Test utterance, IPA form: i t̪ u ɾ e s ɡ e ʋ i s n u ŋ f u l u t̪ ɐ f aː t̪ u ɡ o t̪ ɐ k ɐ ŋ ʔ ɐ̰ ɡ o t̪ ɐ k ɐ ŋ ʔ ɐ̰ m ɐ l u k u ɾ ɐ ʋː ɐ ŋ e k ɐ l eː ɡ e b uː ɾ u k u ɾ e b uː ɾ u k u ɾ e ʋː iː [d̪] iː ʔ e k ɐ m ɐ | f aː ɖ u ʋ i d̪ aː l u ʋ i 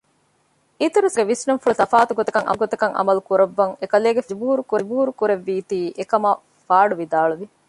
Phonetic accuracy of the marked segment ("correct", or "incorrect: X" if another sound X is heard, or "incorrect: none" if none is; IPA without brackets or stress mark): incorrect: t̪